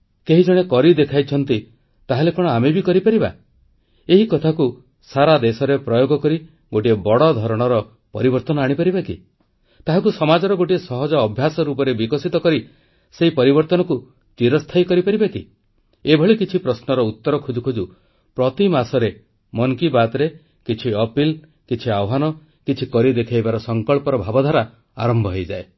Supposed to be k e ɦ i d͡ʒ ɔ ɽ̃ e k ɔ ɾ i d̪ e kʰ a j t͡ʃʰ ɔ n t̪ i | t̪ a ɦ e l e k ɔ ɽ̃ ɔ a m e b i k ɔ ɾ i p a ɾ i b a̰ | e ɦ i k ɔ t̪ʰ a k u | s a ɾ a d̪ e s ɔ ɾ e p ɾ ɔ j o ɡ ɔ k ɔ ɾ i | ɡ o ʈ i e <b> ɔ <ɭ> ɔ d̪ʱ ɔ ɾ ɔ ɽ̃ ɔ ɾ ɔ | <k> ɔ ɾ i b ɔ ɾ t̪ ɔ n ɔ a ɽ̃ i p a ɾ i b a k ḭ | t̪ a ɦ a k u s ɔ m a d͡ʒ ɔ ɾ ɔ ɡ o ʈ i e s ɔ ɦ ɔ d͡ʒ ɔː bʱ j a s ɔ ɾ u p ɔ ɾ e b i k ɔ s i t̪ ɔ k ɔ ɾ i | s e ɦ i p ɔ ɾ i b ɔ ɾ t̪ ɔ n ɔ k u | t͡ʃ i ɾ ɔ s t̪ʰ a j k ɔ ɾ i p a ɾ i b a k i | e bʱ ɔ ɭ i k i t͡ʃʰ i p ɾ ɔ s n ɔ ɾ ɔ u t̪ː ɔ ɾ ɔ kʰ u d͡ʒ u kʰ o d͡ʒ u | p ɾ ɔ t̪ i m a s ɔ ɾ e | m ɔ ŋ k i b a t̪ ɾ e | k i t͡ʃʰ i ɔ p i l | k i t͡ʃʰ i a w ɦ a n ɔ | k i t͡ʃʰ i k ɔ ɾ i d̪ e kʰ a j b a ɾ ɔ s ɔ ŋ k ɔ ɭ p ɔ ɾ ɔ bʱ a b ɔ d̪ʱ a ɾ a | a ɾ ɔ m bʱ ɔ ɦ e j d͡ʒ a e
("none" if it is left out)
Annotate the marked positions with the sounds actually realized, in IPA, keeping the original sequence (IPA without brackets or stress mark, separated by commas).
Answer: b, ɽ, p